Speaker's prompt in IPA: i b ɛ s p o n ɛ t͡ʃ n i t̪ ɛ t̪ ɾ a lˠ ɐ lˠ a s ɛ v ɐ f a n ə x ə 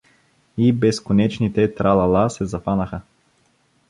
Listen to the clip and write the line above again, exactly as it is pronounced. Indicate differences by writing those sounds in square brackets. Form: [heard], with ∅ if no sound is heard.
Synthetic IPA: i b ɛ s [k] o n ɛ t͡ʃ n i t̪ ɛ t̪ ɾ a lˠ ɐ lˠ a s ɛ [z] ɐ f a n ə x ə